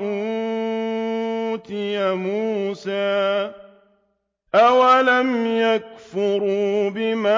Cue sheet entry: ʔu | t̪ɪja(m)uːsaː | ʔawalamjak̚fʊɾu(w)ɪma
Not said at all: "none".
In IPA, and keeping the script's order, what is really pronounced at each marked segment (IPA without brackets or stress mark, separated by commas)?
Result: m, b